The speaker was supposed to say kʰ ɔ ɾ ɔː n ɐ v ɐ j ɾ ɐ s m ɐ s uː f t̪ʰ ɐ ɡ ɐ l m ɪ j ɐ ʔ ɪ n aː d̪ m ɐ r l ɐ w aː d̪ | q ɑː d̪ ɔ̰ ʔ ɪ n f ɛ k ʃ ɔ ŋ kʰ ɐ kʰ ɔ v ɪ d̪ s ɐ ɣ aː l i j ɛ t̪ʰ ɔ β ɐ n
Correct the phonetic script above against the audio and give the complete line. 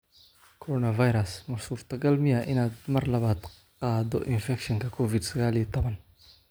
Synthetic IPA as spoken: kʰ ɔ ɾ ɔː n ɐ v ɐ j ɾ ɐ s m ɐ s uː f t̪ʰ ɐ ɡ ɐ l m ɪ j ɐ ʔ ɪ n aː d̪ m ɐ r l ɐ β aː d̪ | q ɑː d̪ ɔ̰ ʔ ɪ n f ɛ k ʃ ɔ ŋ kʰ ɐ kʰ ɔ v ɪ d̪ s ɐ ɣ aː l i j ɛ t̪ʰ ɔ β ɐ n